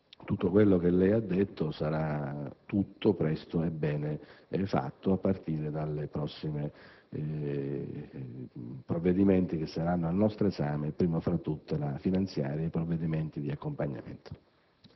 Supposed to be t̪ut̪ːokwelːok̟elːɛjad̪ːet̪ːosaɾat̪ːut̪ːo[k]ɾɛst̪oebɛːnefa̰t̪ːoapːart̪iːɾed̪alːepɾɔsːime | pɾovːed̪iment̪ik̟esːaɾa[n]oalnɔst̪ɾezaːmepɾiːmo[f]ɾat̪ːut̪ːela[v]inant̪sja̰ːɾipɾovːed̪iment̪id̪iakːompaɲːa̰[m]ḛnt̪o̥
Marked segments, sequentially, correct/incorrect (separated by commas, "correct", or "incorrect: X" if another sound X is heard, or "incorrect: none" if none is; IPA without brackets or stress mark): incorrect: p, incorrect: nː, correct, incorrect: f, correct